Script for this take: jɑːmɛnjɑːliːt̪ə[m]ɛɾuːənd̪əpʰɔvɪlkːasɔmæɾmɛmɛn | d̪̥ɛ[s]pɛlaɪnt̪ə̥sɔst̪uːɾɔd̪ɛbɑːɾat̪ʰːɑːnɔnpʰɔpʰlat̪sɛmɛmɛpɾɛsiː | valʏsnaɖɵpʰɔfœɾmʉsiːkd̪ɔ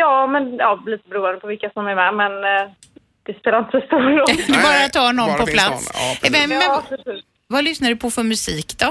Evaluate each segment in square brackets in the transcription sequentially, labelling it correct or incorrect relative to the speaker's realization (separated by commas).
incorrect, correct